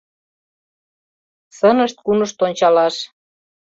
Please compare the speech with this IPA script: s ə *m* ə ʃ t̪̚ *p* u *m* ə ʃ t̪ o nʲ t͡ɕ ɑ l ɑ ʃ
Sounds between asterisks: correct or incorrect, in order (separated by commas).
incorrect, incorrect, incorrect